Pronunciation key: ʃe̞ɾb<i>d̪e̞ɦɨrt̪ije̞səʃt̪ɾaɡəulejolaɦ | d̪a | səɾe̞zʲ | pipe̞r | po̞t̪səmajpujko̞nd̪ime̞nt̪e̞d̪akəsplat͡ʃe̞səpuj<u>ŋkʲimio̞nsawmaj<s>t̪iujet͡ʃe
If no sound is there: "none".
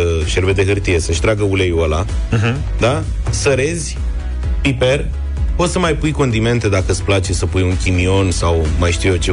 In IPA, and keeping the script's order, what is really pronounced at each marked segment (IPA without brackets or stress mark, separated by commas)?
e, u, ʃ